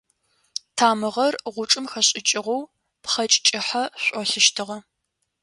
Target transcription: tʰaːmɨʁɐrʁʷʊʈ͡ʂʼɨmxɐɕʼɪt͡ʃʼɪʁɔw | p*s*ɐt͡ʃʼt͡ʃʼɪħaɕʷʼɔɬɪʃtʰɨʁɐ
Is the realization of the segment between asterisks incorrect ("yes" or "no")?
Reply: yes